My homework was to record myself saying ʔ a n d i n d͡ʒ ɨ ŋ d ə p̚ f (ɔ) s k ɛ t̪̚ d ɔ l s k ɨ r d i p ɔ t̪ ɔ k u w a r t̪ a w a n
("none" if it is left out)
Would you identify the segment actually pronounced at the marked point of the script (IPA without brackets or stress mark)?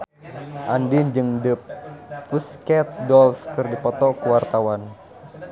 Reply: u